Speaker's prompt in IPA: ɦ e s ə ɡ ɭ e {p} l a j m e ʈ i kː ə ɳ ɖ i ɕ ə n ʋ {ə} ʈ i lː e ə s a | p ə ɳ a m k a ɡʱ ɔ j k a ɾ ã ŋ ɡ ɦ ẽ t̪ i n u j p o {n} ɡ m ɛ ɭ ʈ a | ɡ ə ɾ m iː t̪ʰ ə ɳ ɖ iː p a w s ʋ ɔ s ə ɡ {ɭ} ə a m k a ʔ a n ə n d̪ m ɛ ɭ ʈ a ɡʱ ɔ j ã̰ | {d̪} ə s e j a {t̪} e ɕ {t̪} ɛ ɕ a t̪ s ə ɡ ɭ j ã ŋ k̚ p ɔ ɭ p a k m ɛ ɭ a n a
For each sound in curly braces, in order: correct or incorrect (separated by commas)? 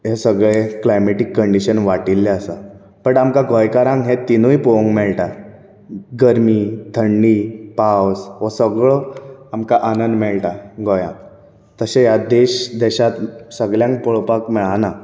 incorrect, incorrect, incorrect, correct, incorrect, incorrect, incorrect